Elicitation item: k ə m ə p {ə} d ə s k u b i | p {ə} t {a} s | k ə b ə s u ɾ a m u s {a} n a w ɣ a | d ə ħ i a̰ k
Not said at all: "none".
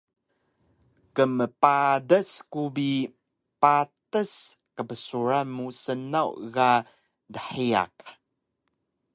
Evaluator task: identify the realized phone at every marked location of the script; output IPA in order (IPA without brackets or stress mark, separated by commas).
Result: a, a, ə, ə